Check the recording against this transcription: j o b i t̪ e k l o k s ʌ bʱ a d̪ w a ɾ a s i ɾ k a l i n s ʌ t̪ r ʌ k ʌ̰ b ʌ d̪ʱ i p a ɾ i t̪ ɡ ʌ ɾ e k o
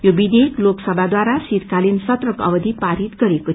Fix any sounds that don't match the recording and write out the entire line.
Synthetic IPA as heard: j o b i d̪ e k l o k s ʌ bʱ a d̪ w a ɾ a s i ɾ k a l i n s ʌ t̪ r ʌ k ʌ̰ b ʌ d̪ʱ i p a ɾ i t̪ ɡ ʌ ɾ e k o